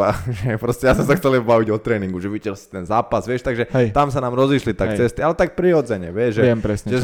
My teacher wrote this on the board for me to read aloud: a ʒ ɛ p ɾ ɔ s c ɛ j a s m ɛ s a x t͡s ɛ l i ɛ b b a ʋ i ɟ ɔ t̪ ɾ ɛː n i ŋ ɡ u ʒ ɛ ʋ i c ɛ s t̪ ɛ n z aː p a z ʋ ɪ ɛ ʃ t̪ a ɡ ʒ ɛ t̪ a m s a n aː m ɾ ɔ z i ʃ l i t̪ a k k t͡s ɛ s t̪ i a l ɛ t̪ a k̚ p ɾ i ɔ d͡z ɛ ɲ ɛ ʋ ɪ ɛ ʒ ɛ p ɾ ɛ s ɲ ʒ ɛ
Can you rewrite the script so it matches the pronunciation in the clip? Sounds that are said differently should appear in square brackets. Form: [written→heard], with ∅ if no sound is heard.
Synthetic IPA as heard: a ʒ ɛ p ɾ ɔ s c ɛ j a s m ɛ s a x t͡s ɛ l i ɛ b b a ʋ i ɟ ɔ t̪ ɾ ɛː n i ŋ ɡ u ʒ ɛ ʋ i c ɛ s t̪ ɛ n z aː p a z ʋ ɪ ɛ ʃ t̪ a ɡ ʒ ɛ t̪ a m s a n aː m ɾ ɔ z i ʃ l i t̪ a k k t͡s ɛ s t̪ i a l ɛ t̪ a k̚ p ɾ i ɔ d͡z ɛ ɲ ɛ ʋ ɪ ɛ ʒ ɛ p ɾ ɛ s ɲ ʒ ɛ